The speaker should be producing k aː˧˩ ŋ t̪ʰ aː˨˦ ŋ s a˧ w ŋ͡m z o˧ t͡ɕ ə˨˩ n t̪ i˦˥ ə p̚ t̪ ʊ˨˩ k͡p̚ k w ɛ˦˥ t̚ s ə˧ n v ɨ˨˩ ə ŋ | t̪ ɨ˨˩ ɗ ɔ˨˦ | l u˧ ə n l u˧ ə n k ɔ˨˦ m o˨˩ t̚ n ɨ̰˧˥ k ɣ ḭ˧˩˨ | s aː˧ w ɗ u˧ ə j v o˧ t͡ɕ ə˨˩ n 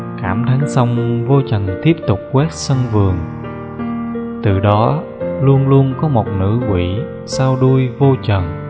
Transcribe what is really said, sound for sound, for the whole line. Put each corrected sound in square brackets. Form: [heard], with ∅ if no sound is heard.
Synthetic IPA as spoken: k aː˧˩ [m] t̪ʰ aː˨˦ ŋ s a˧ w ŋ͡m [v] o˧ t͡ɕ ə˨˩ n t̪ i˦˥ ə p̚ t̪ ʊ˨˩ k͡p̚ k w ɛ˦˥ t̚ s ə˧ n v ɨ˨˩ ə ŋ | t̪ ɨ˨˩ ɗ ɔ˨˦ | l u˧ ə n l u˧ ə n k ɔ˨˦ m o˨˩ t̚ n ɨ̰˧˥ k [w] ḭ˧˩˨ | s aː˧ w ɗ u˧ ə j v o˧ t͡ɕ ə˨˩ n